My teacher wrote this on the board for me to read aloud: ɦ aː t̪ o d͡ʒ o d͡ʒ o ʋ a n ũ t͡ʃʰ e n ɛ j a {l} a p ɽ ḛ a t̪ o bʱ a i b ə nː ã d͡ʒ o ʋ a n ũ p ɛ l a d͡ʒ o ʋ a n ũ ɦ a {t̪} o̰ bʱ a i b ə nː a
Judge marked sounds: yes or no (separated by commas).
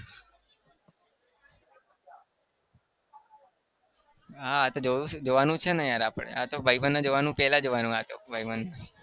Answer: no, yes